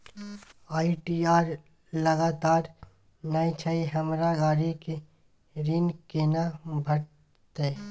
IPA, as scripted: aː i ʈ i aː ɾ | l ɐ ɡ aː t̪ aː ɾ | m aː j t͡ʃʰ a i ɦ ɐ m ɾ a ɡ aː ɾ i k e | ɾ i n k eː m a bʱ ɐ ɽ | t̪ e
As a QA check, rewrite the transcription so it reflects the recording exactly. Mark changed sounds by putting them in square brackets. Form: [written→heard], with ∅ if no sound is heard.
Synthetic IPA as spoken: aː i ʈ i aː ɾ | l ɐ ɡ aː t̪ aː ɾ | [m→n] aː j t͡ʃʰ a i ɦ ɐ m ɾ a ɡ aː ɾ i k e | ɾ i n k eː [m→n] a bʱ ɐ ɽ | t̪ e